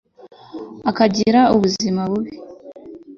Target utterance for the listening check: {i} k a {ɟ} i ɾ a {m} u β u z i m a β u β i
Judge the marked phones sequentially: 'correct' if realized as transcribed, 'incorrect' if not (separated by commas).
incorrect, correct, incorrect